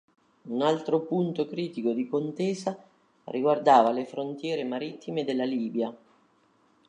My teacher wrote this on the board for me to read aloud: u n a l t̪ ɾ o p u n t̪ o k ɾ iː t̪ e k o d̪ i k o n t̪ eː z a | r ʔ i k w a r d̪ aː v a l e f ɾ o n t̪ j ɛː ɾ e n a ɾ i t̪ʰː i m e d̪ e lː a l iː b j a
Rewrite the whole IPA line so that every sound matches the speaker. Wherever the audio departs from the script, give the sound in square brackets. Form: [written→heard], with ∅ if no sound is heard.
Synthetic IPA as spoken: u n a l t̪ ɾ o p u n t̪ o k ɾ iː t̪ [e→i] k o d̪ i k o n t̪ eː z a | r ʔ i [k→ɡ] w a r d̪ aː v a l e f ɾ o n t̪ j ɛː ɾ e [n→m] a ɾ i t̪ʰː i m e d̪ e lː a l iː b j a